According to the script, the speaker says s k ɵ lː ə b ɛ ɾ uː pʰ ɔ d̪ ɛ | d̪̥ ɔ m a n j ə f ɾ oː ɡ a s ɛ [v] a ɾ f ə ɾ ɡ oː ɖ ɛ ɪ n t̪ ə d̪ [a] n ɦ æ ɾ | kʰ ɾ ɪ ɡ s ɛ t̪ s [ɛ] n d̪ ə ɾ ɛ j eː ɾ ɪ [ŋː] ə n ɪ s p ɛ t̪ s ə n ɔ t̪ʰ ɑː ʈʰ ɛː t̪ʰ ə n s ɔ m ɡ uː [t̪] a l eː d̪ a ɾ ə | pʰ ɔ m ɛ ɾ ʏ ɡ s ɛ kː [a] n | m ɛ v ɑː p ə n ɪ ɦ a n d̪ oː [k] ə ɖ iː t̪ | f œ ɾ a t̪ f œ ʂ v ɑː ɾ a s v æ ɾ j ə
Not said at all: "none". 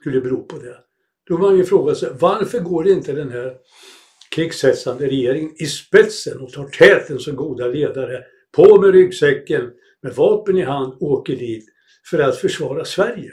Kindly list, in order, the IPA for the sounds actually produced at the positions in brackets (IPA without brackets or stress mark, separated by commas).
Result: v, ɛ, a, ŋ, d̪, ə, k